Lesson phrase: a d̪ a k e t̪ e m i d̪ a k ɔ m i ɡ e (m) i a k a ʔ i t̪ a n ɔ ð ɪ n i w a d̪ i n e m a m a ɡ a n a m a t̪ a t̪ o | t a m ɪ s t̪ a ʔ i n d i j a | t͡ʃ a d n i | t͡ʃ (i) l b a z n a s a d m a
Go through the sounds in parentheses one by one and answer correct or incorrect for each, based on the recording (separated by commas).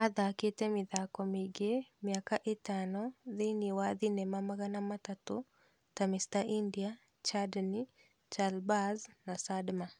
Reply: correct, incorrect